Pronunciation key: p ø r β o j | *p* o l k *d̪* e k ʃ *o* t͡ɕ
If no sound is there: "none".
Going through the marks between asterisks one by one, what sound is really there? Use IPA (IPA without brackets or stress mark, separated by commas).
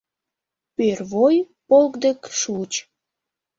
p, d̪, u